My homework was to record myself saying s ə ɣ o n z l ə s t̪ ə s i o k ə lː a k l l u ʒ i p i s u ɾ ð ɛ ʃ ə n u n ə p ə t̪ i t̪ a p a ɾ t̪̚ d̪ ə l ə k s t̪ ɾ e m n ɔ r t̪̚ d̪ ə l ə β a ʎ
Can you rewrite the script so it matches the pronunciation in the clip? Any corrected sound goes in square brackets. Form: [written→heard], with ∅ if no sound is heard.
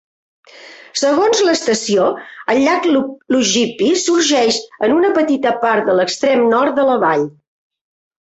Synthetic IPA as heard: s ə ɣ o n z l ə s t̪ ə s i o [k→∅] ə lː a k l l u ʒ i p i s u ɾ [ð→ʒ] ɛ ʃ ə n u n ə p ə t̪ i t̪ [a→ə] p a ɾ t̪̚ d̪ ə l ə k s t̪ ɾ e m n ɔ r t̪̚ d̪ ə l ə β a ʎ